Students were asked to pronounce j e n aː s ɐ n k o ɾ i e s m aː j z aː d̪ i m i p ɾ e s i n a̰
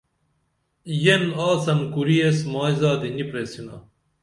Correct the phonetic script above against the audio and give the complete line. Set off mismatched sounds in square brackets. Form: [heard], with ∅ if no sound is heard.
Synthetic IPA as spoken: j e n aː s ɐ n k [u] ɾ i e s m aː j z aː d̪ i [n] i p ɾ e s i n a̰

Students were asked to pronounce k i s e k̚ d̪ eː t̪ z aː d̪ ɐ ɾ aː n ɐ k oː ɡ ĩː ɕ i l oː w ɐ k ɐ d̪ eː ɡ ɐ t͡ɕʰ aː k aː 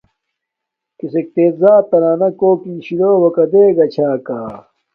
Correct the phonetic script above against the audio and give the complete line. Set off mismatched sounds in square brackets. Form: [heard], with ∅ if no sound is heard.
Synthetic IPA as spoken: k i s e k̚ [t̪] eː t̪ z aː [t̪] ɐ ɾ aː n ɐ k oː [k] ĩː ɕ i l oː w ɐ k ɐ d̪ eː ɡ ɐ t͡ɕʰ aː k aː

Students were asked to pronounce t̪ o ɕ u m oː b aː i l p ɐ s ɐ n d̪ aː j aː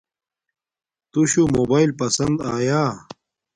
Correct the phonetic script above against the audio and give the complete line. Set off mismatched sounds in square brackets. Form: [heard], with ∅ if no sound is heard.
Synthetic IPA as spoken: t̪ [u] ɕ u m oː b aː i l p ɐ s ɐ n d̪ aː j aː

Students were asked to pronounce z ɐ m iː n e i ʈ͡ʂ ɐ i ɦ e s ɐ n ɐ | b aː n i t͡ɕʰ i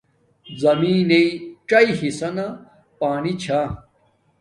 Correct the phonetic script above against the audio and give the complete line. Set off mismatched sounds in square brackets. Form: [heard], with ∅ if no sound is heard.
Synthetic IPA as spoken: z ɐ m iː n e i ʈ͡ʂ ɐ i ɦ [i] s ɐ n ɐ | [p] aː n i t͡ɕʰ [a]

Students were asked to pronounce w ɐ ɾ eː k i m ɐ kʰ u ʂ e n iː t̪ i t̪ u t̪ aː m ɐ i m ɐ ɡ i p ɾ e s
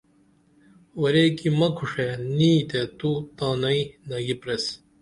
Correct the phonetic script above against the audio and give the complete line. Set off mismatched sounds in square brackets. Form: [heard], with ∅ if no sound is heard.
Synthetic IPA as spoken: w ɐ ɾ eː k i m ɐ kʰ u ʂ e n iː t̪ [e] t̪ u t̪ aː [n] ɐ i [n] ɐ ɡ i p ɾ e s

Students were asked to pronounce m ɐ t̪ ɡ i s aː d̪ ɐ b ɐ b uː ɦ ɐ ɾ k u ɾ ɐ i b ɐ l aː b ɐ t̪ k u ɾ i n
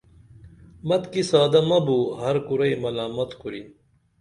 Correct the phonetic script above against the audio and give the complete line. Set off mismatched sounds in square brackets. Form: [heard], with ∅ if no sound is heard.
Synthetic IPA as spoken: m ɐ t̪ [k] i s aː d̪ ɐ [m] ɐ b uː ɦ ɐ ɾ k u ɾ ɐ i [m] ɐ l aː [m] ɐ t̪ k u ɾ i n

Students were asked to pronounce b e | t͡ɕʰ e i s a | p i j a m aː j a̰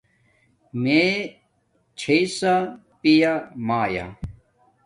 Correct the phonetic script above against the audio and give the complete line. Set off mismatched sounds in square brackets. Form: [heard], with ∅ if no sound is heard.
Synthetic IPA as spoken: [m] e | t͡ɕʰ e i s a | p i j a m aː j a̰

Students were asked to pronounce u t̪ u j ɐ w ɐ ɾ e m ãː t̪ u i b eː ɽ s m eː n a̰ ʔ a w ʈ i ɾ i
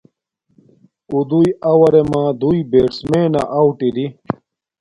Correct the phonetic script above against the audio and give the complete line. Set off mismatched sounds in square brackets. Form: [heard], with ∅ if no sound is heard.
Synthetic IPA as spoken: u [d̪] u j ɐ w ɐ ɾ e m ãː [d̪] u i b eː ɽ s m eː n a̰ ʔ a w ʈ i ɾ i

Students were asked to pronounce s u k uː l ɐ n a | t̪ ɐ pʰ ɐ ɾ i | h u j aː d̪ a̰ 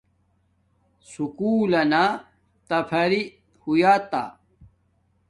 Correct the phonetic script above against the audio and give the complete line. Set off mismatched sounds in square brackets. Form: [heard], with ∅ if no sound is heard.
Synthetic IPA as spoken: s u k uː l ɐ n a | t̪ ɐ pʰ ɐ ɾ i | h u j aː [t̪] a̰

